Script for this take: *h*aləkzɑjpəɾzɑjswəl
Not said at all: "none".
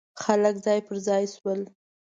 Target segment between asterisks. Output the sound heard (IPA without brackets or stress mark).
x